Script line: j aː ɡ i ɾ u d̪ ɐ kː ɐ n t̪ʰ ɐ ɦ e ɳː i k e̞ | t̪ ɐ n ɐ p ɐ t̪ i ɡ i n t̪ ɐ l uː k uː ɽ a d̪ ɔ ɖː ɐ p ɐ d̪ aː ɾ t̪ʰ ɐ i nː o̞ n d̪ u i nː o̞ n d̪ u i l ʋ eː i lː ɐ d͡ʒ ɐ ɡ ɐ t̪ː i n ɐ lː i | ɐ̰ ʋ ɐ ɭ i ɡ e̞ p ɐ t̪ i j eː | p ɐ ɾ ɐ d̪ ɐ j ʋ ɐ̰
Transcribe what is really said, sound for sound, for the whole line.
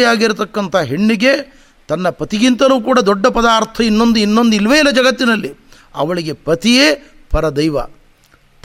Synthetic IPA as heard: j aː ɡ i ɾ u t̪ ɐ kː ɐ n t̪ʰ ɐ ɦ e ɳː i ɡ e̞ | t̪ ɐ nː ɐ p ɐ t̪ i ɡ i n t̪ ɐ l uː k uː ɽ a d̪ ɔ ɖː ɐ p ɐ d̪ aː ɾ t̪ʰ ɐ i nː o̞ n d̪ u i nː o̞ n d̪ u i l ʋ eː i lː ɐ d͡ʒ ɐ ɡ ɐ t̪ː i n ɐ lː i | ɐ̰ ʋ ɐ ɭ i ɡ e̞ p ɐ t̪ i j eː | p ɐ ɾ ɐ d̪ ɐ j ʋ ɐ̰